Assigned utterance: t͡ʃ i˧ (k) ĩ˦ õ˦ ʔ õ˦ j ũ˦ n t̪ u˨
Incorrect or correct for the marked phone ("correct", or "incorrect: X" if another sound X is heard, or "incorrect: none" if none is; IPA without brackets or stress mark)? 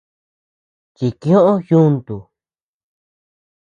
correct